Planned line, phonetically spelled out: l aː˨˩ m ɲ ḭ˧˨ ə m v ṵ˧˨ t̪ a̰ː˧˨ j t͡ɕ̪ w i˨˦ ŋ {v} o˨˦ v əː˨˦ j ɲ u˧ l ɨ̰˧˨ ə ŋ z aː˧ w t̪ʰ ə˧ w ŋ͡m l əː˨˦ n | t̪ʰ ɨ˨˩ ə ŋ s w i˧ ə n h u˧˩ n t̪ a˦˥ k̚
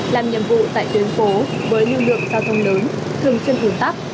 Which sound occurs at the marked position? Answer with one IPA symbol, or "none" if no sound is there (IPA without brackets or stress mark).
f